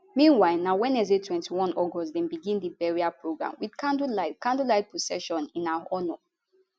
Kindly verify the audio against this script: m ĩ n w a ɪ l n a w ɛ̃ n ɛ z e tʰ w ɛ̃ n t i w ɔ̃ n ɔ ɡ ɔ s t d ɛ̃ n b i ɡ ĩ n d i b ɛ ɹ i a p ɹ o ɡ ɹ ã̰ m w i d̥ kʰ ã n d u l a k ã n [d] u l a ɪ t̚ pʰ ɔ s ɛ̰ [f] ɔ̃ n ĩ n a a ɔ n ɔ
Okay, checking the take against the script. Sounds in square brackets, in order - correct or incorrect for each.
correct, incorrect: ʃ

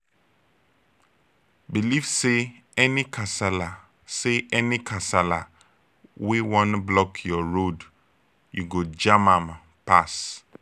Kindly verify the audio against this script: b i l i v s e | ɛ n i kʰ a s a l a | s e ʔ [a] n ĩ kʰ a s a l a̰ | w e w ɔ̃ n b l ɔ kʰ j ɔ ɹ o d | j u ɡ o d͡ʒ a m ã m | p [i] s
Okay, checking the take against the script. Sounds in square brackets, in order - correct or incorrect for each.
incorrect: ɛ, incorrect: a

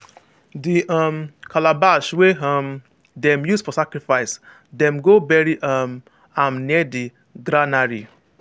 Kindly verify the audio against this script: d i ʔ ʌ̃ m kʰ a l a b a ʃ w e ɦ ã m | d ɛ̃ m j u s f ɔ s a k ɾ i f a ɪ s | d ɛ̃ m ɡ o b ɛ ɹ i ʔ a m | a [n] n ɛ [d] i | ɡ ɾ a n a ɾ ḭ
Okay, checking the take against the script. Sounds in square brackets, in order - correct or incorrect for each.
incorrect: m, correct

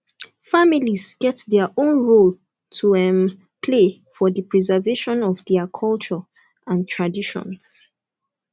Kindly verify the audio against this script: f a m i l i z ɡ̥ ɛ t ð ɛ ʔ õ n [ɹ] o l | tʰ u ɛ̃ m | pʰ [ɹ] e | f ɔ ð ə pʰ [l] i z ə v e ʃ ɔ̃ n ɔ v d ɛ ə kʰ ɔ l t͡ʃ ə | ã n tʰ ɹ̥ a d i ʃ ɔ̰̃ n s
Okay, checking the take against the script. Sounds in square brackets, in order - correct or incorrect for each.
correct, incorrect: l, incorrect: ɹ

